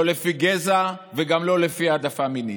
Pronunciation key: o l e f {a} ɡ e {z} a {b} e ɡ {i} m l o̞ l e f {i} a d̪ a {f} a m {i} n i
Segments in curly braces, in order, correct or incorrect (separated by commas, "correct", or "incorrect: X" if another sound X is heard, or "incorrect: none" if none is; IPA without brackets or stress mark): incorrect: i, correct, incorrect: v, incorrect: a, correct, correct, correct